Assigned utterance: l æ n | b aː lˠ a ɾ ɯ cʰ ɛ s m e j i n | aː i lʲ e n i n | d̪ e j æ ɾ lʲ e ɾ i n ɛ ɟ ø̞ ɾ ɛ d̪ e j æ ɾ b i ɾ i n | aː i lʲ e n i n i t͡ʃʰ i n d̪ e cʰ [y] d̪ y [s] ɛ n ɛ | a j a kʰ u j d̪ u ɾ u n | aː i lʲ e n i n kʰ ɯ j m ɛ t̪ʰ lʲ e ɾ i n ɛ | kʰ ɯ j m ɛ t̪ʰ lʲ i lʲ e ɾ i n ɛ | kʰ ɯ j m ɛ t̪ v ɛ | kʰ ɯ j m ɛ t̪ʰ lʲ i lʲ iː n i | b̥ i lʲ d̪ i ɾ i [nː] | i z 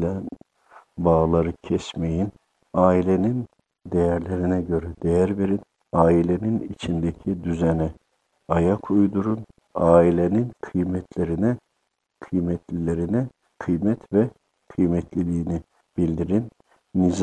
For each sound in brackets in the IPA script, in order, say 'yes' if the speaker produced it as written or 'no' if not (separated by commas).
no, no, yes